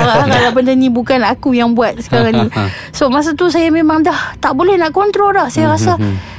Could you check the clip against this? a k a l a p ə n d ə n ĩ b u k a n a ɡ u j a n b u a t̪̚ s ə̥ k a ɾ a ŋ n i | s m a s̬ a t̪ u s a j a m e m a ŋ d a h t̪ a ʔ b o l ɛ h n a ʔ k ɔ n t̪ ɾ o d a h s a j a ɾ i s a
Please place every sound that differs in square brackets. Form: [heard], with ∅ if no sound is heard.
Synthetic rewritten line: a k a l a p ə n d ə n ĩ b u k a n a [k] u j a [ŋ] b u a t̪̚ s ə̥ k a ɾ a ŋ n i | s m a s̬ a t̪ u s a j a m e m a ŋ d a h t̪ a ʔ b o l ɛ h n a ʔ k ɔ n t̪ ɾ o d a h s a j a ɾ [a] s a